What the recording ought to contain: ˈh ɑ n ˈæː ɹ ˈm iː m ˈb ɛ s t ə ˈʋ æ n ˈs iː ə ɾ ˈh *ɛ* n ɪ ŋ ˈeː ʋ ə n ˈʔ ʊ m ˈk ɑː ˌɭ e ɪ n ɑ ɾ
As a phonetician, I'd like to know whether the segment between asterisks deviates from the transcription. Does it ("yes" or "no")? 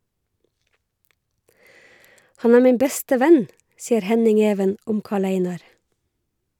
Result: no